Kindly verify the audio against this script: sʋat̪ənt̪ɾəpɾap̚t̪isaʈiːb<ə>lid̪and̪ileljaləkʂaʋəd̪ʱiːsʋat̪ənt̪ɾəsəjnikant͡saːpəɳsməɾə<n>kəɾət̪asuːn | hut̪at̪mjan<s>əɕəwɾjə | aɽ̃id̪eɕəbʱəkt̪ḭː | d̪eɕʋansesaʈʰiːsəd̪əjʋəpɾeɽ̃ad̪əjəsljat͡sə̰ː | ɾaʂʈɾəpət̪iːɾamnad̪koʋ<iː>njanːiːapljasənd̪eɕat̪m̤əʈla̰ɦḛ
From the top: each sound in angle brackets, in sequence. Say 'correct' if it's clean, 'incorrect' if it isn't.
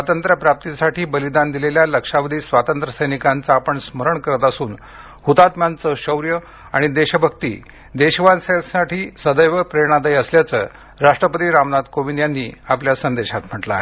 correct, incorrect: ɳ, incorrect: t͡s, incorrect: i

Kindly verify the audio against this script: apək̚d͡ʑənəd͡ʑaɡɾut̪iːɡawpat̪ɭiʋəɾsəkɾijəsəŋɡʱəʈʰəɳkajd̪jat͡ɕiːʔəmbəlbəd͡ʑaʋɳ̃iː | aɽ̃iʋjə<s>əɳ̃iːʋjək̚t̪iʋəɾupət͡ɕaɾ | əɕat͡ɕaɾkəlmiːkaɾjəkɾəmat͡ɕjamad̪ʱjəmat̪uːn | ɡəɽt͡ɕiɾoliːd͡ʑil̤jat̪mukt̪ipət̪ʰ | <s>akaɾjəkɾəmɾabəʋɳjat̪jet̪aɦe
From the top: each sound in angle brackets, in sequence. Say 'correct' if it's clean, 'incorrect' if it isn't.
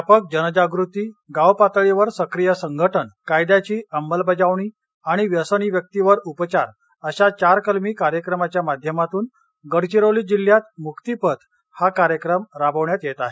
correct, incorrect: h

